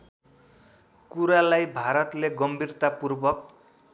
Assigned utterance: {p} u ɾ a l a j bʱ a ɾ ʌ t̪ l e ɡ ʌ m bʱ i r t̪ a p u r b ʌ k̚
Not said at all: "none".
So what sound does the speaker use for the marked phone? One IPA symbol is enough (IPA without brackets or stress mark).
k